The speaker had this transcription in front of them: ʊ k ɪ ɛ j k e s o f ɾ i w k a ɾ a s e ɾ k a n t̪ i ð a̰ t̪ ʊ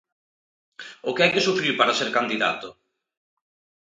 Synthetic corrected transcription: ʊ k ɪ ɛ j k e s u f ɾ i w p a ɾ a s e ɾ k a n d̪ i ð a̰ t̪ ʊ